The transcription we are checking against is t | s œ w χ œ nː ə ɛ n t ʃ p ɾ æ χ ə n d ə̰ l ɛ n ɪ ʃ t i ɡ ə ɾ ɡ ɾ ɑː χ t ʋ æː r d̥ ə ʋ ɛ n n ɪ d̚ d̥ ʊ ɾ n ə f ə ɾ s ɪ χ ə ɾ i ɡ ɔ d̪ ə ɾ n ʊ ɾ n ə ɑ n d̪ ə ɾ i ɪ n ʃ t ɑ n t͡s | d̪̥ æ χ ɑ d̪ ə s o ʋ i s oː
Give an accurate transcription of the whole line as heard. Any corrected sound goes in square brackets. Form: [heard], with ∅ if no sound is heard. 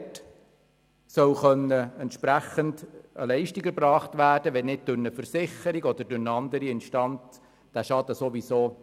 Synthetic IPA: t | s œ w χ œ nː ə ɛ n t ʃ p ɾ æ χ ə n d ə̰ l ɛ [∅] ɪ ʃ t i ɡ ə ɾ [b] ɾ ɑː χ t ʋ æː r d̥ ə ʋ ɛ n n ɪ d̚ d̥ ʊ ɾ n ə f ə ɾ s ɪ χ ə ɾ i ɡ ɔ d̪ ə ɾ [d] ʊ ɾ n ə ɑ n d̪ ə ɾ i ɪ n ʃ t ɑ n t͡s | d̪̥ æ [ʃ] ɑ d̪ ə s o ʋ i s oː